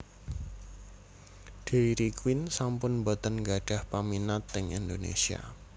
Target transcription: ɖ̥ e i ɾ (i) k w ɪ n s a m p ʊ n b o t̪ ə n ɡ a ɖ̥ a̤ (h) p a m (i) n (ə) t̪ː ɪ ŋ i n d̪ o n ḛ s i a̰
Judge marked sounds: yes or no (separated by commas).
yes, yes, yes, no